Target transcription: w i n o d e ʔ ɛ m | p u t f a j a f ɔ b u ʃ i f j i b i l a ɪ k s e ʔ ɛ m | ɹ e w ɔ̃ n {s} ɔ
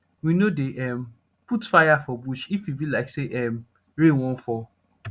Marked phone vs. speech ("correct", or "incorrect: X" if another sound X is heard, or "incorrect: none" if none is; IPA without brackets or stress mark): incorrect: f